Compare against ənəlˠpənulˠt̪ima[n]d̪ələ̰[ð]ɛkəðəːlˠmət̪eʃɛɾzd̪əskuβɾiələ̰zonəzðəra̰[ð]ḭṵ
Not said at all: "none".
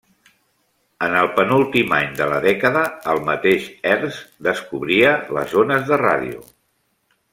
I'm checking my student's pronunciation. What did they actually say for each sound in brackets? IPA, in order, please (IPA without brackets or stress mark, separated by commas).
ɲ, ð, ð